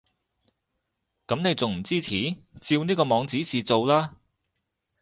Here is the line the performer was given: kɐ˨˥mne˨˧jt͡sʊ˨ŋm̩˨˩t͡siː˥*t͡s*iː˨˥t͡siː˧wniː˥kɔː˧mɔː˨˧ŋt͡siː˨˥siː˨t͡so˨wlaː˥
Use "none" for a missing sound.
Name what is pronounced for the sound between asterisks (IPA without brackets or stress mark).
t͡sʰ